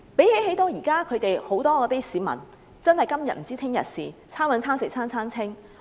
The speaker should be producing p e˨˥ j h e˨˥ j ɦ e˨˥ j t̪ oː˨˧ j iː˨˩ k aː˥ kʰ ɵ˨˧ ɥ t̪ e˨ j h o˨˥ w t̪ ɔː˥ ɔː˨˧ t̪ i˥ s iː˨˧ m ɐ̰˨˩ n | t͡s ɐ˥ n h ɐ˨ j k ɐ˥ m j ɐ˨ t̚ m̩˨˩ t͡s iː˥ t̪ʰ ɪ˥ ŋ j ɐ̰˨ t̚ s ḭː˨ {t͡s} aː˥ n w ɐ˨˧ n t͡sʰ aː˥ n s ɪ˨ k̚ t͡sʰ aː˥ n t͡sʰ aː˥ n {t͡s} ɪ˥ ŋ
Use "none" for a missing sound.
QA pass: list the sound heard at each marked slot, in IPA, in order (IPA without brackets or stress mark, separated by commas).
t͡sʰ, t͡sʰ